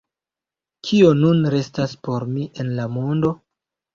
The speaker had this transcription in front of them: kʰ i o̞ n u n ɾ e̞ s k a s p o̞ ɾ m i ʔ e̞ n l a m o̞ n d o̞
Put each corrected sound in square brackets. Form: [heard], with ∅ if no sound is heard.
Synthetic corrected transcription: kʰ i o̞ n u n ɾ e̞ s [t] a s p o̞ ɾ m i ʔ e̞ n l a m o̞ n d o̞